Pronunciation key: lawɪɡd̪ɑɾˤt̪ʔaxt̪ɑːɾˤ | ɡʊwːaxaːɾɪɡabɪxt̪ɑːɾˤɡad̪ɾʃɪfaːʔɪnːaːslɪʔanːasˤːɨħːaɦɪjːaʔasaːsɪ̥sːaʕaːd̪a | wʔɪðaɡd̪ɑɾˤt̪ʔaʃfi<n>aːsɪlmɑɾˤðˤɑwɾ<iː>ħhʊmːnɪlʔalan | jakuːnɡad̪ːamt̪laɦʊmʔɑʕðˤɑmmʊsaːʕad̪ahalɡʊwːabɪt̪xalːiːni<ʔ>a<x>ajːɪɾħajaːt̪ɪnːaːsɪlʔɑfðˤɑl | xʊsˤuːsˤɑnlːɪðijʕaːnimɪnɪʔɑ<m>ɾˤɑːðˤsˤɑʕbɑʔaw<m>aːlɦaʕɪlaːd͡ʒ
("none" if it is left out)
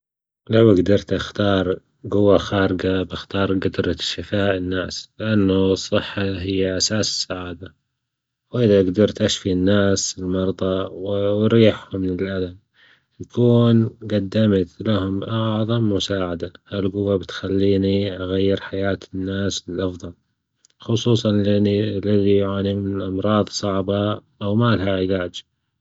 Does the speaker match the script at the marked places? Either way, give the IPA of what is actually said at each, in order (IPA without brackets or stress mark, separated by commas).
nː, iː, ʔ, ɣ, m, m